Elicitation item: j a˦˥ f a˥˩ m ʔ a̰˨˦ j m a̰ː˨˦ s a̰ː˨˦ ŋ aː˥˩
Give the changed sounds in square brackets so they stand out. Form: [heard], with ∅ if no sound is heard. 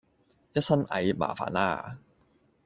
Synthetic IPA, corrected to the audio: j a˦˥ [s] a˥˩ [n] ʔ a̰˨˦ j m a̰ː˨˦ [f] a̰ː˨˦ [n] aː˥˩